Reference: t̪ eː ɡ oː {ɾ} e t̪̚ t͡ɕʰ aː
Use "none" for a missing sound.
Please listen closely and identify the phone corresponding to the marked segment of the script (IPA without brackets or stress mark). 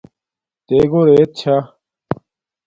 ɾ